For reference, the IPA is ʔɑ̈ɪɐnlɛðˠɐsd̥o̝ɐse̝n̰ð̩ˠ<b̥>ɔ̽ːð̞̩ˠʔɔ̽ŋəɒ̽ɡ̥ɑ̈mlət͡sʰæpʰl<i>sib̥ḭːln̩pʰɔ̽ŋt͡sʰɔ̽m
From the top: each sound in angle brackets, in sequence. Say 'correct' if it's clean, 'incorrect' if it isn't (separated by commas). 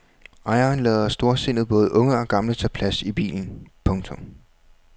correct, incorrect